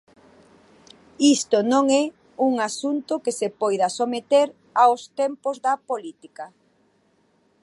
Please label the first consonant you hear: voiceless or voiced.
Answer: voiceless